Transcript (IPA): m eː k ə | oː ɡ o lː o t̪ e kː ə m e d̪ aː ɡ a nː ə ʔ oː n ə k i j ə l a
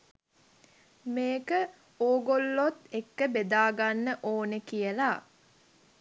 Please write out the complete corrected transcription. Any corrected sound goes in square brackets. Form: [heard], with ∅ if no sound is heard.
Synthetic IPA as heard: m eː k ə | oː ɡ o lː o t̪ e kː ə [b] e d̪ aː ɡ a nː ə ʔ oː n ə k i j ə l a